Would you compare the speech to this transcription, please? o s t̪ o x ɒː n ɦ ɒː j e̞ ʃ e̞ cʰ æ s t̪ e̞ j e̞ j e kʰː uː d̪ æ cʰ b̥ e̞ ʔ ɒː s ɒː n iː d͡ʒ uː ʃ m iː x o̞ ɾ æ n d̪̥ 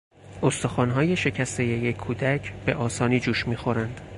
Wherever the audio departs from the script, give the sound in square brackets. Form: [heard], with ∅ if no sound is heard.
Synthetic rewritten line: o s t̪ o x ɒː n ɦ ɒː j e̞ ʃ e̞ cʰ æ s t̪ e̞ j e̞ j e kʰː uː d̪ æ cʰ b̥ e̞ ʔ ɒː s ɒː n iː d͡ʒ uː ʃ m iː x o̞ ɾ æ n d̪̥